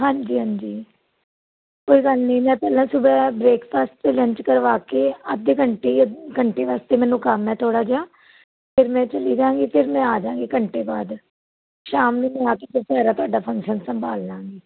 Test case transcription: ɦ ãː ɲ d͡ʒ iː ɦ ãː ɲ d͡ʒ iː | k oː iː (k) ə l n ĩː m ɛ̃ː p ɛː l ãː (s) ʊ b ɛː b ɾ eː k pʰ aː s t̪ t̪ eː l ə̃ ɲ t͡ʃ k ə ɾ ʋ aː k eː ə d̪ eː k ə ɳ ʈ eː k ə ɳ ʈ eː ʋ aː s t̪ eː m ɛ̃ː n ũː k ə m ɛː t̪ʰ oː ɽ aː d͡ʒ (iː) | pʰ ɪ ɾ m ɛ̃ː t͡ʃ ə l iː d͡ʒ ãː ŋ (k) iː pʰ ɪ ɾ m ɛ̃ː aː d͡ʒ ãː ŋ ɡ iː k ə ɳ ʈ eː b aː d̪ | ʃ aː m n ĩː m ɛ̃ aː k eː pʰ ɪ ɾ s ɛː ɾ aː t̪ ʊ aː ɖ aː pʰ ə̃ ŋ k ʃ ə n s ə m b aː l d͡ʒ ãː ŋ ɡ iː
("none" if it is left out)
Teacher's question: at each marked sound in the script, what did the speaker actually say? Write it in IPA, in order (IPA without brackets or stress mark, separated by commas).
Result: ɡ, s, aː, ɡ